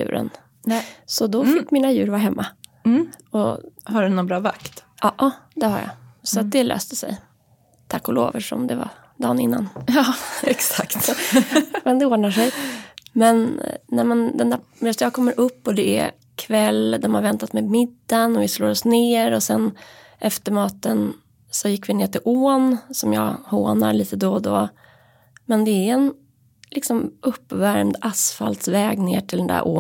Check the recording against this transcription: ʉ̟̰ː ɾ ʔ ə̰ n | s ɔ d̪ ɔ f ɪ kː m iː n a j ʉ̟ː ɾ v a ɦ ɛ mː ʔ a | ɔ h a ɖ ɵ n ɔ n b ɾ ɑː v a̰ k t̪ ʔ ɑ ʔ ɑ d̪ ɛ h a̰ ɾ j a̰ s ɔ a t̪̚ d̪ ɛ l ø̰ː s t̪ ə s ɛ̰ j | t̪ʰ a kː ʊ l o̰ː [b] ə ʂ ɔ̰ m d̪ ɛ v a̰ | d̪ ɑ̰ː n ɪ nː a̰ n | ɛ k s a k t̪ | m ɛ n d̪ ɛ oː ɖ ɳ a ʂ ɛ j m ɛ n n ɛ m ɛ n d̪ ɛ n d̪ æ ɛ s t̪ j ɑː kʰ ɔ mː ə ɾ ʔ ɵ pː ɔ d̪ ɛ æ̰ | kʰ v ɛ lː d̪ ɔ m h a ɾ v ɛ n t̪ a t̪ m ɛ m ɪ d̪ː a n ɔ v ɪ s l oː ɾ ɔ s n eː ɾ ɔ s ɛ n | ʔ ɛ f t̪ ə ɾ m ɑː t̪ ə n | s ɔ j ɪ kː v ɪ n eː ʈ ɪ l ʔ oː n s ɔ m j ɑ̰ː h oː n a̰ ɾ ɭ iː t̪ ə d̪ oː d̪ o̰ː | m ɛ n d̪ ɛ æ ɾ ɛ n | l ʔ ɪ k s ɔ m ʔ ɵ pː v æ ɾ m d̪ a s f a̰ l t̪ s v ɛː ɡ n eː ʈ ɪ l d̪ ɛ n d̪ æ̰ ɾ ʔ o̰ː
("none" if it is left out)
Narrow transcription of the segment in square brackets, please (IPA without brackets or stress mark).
v